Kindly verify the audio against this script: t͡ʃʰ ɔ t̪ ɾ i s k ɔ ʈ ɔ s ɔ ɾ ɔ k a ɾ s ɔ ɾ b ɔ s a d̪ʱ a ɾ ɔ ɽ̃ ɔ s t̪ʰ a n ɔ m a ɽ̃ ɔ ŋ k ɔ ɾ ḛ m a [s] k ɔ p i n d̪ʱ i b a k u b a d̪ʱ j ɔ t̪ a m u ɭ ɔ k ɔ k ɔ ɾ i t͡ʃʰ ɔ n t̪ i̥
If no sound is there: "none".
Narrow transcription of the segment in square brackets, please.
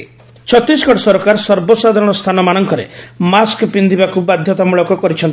s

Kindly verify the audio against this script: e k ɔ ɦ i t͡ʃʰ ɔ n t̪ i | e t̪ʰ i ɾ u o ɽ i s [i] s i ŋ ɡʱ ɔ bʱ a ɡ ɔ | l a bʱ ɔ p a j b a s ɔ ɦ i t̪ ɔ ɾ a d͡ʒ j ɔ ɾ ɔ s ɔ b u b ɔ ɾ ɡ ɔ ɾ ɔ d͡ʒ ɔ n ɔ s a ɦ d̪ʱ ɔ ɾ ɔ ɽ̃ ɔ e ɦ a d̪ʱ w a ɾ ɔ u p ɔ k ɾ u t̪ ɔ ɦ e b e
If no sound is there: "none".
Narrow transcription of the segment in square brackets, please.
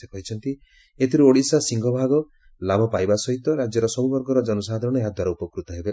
a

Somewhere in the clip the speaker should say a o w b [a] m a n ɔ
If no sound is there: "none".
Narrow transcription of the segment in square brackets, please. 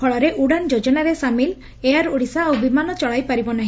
i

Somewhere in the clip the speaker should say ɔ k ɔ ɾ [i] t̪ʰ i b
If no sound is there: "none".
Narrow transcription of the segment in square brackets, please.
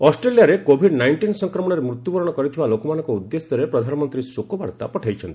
i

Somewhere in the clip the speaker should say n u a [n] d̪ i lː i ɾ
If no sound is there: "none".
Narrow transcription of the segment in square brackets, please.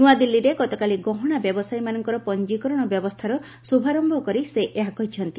none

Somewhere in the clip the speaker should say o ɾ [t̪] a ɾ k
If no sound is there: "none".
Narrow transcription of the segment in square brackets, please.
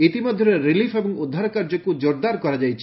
d̪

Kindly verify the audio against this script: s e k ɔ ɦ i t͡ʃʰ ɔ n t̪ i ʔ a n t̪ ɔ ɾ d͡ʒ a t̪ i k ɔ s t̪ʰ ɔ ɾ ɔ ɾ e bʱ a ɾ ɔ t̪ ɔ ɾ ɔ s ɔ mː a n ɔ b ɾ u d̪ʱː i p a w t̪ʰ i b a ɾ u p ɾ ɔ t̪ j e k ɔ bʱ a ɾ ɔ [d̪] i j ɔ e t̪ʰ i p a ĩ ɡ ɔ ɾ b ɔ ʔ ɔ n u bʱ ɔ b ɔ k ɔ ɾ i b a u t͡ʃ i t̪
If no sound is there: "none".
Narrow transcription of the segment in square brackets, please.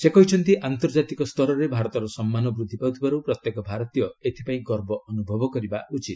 t̪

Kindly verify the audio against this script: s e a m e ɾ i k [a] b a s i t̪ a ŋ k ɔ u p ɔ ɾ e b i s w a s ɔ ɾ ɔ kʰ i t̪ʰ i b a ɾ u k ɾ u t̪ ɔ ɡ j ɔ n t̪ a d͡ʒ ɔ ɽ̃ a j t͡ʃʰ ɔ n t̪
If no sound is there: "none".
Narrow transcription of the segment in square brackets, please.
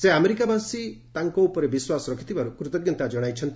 a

